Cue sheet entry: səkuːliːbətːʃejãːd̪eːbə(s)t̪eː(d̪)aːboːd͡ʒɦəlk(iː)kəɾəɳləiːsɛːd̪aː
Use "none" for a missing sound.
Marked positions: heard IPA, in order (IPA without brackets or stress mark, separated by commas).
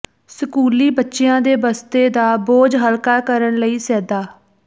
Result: s, d̪, aː